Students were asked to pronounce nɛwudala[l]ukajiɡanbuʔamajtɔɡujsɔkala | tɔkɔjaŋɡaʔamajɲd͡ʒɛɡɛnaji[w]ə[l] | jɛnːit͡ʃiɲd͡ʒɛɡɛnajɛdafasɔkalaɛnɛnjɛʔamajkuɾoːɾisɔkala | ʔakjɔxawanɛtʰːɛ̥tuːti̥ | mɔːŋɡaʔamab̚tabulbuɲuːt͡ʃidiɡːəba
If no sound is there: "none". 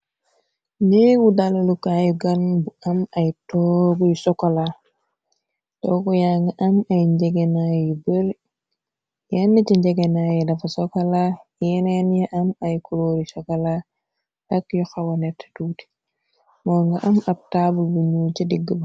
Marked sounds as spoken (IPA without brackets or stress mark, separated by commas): l, b, ɾ